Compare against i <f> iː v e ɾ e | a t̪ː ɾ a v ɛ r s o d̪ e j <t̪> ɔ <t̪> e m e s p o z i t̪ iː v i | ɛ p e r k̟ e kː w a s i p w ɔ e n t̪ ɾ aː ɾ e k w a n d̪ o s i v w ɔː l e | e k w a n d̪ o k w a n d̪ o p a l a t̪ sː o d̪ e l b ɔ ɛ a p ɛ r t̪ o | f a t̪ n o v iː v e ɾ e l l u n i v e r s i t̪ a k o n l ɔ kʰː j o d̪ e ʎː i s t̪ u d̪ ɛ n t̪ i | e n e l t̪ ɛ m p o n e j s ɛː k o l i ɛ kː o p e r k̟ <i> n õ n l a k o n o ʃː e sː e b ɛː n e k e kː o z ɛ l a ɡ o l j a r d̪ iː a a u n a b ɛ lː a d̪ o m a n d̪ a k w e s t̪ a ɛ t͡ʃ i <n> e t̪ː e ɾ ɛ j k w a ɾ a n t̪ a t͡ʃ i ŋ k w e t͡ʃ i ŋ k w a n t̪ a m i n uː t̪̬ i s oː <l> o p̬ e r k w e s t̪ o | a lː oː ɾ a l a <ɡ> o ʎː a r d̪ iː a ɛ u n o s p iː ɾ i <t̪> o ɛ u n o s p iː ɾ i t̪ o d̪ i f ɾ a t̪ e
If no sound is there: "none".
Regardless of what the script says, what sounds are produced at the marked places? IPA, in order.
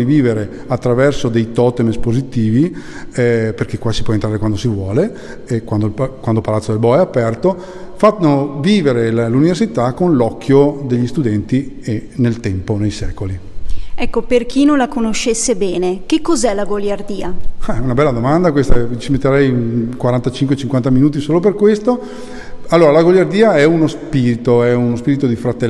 v, t̪, t̪, i, m, l, ɡ, t̪

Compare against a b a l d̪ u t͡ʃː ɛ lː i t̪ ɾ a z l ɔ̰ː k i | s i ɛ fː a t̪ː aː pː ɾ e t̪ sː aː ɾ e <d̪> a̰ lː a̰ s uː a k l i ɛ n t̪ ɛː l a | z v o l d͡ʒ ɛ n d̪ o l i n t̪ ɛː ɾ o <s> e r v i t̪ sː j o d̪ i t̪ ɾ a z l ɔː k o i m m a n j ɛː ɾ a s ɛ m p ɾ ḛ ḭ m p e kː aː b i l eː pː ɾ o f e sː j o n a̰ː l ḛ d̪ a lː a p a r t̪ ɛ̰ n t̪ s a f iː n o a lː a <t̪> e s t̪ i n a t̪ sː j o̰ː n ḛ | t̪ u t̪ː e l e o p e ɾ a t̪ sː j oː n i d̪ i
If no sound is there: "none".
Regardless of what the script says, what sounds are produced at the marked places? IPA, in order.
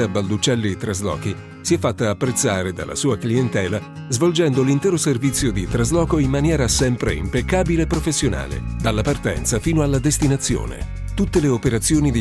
d̪, s, d̪

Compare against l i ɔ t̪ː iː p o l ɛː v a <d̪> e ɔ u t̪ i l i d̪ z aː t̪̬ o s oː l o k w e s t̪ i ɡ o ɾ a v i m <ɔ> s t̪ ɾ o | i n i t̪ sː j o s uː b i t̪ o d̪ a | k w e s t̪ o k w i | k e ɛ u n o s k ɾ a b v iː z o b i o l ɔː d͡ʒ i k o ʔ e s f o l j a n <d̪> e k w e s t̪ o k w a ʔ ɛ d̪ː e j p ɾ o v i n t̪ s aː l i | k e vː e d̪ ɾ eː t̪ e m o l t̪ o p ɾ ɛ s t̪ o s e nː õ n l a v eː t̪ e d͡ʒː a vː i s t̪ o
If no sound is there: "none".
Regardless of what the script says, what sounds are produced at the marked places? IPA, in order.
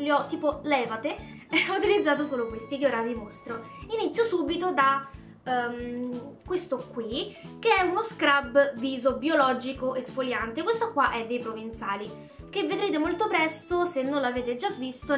t̪, o, t̪

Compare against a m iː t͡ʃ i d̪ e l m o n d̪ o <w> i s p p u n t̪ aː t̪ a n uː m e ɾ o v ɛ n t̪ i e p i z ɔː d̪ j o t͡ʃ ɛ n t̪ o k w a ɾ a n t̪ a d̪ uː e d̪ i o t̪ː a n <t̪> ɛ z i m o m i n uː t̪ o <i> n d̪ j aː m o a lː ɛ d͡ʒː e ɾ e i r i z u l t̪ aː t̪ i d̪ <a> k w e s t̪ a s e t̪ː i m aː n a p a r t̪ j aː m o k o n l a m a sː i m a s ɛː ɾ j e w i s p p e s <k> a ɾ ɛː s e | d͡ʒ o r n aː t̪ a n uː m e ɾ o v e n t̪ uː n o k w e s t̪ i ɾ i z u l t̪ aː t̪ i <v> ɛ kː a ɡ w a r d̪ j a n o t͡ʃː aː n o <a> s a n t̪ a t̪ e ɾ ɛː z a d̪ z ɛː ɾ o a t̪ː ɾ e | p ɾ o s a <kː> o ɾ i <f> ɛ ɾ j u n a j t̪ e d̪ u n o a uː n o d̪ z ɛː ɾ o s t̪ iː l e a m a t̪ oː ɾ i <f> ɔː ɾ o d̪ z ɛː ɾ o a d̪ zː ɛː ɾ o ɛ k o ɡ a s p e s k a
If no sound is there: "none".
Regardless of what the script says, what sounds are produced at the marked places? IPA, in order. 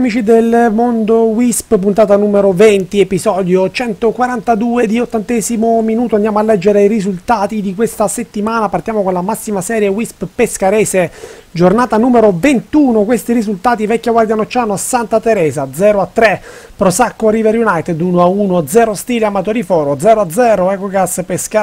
w, t̪, a, i, k, v, a, kː, v, f

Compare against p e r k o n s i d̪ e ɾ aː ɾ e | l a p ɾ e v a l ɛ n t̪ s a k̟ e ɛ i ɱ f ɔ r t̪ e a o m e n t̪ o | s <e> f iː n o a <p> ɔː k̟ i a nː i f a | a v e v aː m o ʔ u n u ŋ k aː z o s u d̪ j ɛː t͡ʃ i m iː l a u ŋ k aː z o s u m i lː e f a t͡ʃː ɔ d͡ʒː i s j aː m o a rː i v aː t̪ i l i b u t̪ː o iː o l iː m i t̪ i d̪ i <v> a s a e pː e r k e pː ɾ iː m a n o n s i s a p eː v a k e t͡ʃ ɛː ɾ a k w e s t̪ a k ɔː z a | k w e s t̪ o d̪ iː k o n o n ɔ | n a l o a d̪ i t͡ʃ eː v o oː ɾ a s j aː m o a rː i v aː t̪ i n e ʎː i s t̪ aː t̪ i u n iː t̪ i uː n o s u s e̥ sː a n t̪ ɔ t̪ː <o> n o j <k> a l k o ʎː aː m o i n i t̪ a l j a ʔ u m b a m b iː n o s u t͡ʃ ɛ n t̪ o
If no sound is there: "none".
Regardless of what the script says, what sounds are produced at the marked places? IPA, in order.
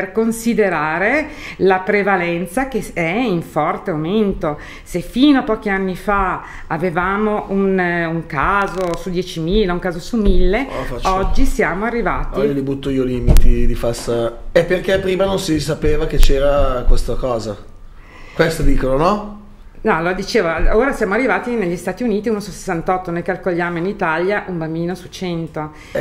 e, p, f, o, k

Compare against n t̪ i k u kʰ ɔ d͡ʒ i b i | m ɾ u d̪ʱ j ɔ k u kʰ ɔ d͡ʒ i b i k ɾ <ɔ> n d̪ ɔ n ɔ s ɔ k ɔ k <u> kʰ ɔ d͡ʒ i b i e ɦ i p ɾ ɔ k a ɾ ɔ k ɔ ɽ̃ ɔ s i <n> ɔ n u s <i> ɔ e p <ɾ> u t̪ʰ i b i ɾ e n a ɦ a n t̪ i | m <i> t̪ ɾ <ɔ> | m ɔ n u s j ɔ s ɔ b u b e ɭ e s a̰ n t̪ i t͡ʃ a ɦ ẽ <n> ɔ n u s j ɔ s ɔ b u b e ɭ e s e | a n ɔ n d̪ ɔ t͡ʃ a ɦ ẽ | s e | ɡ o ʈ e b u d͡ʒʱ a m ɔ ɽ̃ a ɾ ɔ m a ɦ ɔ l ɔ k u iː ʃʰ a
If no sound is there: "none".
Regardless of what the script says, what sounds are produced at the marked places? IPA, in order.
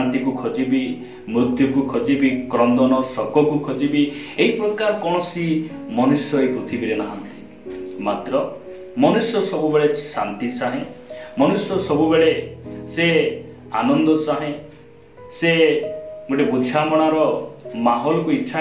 ɔ, u, m, j, ɾ, a, ɔ, m

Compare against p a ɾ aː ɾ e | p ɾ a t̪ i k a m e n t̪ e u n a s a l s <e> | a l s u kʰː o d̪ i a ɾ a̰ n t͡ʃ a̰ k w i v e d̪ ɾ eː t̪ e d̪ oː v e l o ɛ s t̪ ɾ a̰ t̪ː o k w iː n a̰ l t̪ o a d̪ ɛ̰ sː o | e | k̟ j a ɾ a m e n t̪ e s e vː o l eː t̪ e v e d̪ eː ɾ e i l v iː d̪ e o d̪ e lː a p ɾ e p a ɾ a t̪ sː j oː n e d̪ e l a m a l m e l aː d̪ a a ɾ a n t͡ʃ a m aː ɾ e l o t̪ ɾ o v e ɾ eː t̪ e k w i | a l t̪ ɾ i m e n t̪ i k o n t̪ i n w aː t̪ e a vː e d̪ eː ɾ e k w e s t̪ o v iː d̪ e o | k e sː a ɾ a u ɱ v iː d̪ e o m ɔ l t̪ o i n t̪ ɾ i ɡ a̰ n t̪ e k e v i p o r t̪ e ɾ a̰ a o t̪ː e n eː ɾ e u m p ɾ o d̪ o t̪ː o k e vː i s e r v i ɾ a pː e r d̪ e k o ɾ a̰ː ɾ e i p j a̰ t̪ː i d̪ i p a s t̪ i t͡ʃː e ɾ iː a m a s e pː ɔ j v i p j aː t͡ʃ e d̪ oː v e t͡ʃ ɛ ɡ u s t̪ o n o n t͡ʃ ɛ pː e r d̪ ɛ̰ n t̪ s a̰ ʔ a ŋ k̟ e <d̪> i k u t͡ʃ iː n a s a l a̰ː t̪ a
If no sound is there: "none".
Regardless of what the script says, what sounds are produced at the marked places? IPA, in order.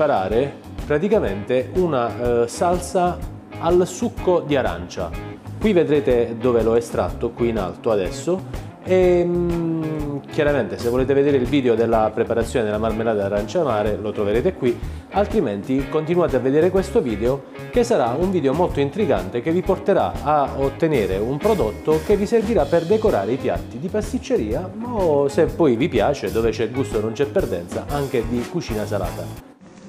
a, d̪

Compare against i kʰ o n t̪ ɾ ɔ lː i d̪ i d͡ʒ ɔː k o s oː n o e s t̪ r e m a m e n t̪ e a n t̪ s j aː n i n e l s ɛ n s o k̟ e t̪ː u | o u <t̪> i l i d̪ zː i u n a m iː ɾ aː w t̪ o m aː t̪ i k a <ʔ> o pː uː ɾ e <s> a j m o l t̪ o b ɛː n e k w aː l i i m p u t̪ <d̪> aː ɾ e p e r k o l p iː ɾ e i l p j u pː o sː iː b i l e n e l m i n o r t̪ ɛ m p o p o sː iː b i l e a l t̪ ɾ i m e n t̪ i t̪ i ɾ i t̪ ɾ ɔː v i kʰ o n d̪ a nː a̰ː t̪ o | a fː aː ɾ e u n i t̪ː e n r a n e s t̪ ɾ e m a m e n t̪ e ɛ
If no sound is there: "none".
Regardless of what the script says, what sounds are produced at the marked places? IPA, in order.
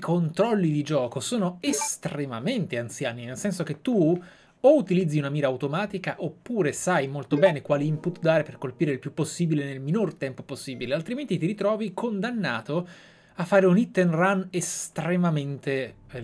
t̪, ʔ, s, d̪

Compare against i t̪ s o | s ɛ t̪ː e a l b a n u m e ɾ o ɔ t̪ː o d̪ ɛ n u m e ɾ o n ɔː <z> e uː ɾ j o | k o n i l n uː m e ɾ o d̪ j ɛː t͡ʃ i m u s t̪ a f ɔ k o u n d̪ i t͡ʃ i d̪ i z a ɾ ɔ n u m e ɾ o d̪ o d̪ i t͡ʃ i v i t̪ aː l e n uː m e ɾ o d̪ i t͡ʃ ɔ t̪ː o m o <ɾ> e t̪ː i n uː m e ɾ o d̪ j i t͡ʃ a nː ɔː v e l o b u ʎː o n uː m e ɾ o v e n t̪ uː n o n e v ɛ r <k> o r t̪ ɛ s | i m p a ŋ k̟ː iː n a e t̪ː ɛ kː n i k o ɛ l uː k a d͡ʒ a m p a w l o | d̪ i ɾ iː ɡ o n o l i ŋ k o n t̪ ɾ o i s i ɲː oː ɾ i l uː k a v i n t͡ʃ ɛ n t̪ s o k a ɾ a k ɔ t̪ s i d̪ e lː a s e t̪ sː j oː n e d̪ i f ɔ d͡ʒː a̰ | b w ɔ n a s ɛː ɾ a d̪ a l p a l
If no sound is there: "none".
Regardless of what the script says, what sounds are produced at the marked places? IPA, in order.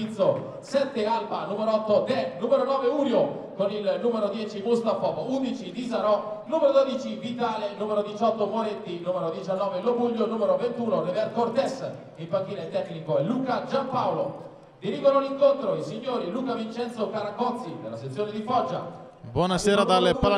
v, ɾ, k

